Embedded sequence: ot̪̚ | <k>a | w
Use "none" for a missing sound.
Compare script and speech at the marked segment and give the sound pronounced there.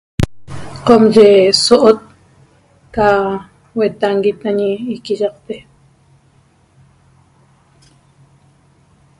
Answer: k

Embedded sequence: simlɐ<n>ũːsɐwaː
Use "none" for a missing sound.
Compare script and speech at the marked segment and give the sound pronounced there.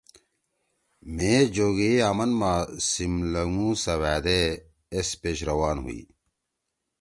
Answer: ŋ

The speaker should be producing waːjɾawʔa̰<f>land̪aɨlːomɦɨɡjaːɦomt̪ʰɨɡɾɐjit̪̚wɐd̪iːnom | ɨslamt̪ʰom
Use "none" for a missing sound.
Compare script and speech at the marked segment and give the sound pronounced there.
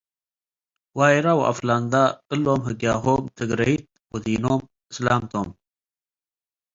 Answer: f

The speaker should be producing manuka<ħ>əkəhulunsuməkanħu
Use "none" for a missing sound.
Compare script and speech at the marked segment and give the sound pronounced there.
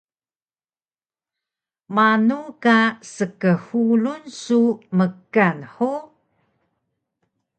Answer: s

